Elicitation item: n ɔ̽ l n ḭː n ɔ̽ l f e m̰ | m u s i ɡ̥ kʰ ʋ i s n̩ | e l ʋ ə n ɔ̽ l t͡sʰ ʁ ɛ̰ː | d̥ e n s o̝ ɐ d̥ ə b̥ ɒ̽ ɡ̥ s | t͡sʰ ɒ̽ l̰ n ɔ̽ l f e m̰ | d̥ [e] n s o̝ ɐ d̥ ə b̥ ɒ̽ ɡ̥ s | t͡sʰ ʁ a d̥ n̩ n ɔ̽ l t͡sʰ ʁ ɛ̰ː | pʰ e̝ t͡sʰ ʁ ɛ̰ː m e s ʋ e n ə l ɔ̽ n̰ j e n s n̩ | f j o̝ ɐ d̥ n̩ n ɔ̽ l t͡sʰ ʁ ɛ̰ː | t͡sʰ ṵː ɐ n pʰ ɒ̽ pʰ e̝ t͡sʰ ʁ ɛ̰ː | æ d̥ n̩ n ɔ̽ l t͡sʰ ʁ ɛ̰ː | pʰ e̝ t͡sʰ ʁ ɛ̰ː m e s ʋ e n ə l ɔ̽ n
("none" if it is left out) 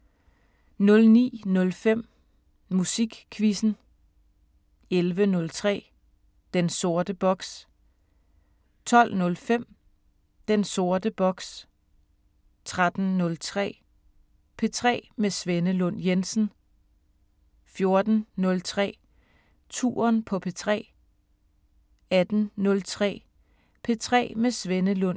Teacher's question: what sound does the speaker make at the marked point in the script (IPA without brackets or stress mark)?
e